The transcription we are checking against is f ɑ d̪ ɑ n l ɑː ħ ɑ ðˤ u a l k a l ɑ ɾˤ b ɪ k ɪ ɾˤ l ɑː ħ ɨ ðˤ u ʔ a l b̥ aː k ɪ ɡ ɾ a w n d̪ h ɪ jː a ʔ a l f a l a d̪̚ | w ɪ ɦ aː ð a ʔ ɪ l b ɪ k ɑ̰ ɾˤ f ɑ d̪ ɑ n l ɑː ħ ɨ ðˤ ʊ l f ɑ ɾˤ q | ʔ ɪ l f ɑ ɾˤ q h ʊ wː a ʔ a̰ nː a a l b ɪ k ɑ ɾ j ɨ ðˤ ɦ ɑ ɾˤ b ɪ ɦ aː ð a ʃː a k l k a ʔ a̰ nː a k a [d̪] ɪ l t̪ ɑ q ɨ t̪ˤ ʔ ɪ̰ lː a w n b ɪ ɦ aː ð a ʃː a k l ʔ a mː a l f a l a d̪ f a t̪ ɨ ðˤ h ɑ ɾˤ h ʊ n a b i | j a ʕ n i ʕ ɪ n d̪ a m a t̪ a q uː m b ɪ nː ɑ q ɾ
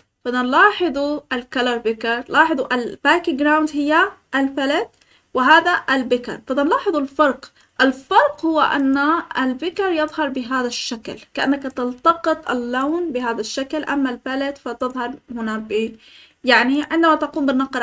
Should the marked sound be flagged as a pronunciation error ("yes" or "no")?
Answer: yes